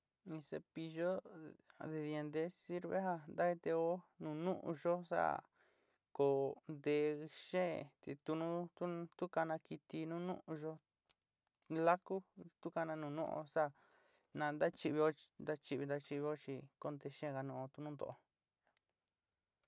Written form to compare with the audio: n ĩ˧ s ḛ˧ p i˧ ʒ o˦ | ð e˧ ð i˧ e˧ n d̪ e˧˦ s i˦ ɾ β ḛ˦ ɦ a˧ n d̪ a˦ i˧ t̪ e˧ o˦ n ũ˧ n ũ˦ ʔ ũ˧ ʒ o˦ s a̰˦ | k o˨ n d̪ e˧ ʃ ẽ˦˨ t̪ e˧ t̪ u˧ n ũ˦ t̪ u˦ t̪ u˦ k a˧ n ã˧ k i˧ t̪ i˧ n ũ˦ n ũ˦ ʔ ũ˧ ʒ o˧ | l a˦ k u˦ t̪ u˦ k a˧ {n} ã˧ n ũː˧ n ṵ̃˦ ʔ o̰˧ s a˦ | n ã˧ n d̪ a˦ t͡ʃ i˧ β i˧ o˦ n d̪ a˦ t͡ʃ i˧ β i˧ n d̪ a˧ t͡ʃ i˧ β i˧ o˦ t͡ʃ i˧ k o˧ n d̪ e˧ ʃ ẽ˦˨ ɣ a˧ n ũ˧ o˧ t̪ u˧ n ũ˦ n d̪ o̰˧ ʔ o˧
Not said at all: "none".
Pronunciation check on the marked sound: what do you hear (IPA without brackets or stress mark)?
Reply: n